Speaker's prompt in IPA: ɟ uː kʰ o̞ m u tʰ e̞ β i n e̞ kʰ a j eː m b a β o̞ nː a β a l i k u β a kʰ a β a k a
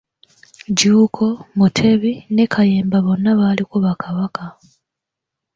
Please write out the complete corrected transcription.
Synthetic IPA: ɟ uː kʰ o̞ m u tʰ e̞ β i n e̞ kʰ a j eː m b a β o̞ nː a β a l i k u β a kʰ a β a k a